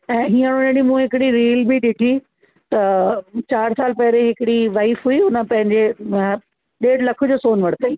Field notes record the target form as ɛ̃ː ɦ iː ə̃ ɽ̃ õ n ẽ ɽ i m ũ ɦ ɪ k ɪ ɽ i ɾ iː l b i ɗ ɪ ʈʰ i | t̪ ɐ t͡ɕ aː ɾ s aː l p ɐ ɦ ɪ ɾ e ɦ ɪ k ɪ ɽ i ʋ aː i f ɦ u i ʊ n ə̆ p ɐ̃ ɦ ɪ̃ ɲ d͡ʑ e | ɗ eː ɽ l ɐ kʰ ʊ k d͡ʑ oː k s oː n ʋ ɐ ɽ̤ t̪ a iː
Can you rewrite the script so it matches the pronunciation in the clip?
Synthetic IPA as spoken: ɛ̃ː ɦ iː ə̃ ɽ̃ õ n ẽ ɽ i m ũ ɦ ɪ k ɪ ɽ i ɾ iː l b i ɗ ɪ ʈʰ i | t̪ ɐ t͡ɕ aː ɾ s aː l p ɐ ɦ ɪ ɾ e ɦ ɪ k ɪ ɽ i ʋ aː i f ɦ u i ʊ n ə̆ p ɐ̃ ɦ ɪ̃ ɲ d͡ʑ e | ɗ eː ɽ l ɐ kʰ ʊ d͡ʑ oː s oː n ʋ ɐ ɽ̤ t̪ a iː